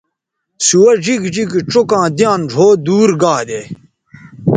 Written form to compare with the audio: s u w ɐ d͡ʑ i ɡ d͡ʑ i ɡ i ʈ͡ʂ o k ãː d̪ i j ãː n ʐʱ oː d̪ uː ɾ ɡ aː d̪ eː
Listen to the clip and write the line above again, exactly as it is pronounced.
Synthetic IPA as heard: s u w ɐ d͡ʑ i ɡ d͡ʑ i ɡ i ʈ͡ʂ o k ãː d̪ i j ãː n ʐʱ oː d̪ uː ɾ ɡ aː d̪ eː

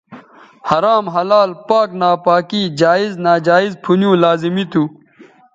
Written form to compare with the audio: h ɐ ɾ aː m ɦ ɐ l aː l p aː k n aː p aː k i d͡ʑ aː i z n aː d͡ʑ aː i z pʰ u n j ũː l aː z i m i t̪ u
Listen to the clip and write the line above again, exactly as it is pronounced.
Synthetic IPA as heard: h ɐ ɾ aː m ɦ ɐ l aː l p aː k n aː p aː k i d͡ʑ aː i z n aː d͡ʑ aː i z pʰ u n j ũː l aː z i m i t̪ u

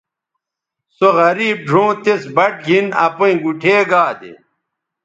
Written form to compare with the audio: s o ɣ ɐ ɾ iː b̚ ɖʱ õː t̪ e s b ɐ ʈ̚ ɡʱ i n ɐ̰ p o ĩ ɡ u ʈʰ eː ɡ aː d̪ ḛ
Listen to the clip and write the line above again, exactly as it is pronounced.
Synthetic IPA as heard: s o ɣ ɐ ɾ iː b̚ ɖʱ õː t̪ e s b ɐ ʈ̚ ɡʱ i n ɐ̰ p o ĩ ɡ u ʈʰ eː ɡ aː d̪ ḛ

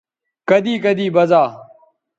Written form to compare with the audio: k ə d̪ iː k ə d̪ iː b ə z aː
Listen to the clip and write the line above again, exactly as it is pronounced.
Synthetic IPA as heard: k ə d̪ iː k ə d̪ iː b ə z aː

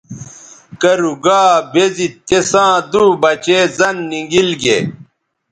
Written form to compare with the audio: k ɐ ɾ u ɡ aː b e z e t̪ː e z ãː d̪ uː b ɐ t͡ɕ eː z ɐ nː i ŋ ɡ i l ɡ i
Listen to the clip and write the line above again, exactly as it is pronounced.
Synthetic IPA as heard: k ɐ ɾ u ɡ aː b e z i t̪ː e s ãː d̪ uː b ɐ t͡ɕ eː z ɐ nː i ŋ ɡ i l ɡ e

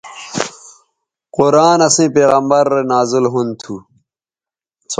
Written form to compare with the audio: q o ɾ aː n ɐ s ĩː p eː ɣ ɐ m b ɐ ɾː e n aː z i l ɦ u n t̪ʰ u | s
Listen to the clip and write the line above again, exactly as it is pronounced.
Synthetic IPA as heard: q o ɾ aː n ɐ s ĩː p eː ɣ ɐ m b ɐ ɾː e n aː z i l ɦ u n t̪ʰ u | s

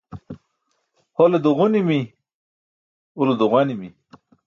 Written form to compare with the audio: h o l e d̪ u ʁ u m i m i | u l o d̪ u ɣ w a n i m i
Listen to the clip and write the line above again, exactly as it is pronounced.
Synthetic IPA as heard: h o l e d̪ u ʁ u n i m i | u l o d̪ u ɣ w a n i m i

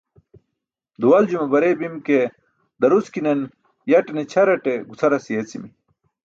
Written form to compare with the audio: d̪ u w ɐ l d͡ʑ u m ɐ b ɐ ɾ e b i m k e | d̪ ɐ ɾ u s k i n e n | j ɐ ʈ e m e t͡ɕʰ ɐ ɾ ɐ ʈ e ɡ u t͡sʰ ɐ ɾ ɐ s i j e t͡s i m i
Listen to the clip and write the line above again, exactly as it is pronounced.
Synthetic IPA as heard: d̪ u w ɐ l d͡ʑ u m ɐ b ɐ ɾ e b i m k e | d̪ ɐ ɾ u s k i n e n | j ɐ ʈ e n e t͡ɕʰ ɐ ɾ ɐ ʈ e ɡ u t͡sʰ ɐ ɾ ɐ s i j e t͡s i m i

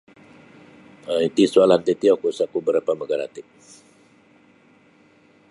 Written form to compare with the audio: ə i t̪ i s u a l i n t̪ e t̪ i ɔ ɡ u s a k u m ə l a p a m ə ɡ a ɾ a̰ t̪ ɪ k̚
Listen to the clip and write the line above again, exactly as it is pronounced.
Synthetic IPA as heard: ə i t̪ i s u a l a n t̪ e t̪ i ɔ k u s a k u b ə ɾ a p a m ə ɡ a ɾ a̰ t̪ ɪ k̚

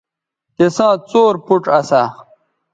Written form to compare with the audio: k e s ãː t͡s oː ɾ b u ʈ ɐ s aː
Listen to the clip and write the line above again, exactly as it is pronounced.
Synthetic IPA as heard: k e s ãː t͡s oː ɾ p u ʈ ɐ s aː

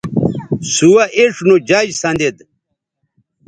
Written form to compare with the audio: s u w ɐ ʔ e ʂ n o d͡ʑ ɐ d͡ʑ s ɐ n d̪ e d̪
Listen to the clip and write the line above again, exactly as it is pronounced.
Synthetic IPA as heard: s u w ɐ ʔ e ʂ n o d͡ʑ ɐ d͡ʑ s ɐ n d̪ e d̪

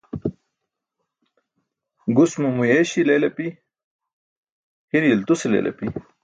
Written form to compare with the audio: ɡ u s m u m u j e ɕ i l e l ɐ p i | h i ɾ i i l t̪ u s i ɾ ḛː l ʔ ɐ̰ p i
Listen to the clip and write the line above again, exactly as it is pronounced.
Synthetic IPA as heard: ɡ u s m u m u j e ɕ i l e l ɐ p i | h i ɾ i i l t̪ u s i l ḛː l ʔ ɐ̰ p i

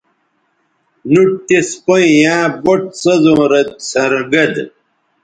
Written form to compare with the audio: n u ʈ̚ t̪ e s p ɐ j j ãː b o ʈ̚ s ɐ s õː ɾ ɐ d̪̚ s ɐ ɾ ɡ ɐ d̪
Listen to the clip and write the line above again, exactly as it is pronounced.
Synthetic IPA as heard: n u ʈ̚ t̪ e s p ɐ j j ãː b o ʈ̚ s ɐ z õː ɾ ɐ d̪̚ s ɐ ɾ ɡ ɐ d̪

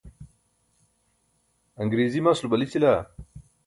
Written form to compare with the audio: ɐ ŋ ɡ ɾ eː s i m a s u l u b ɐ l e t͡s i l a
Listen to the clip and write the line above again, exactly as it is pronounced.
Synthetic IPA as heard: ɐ ŋ ɡ ɾ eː z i m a s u l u b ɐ l i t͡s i l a

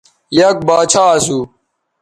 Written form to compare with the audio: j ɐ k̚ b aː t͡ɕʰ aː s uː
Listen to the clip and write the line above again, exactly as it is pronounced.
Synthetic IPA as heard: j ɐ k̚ b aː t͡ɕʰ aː s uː

